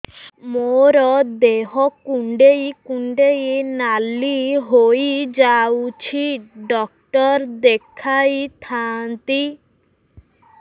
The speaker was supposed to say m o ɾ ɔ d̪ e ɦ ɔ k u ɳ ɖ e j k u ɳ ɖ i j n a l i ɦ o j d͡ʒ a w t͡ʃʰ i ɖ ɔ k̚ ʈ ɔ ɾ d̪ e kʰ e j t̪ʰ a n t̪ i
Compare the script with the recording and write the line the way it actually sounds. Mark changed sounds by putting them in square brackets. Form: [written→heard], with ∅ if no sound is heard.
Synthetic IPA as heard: m o ɾ ɔ d̪ e ɦ ɔ k u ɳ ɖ e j k u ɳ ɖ [i→e] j n a l i ɦ o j d͡ʒ a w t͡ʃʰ i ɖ ɔ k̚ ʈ ɔ ɾ d̪ e kʰ [e→a] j t̪ʰ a n t̪ i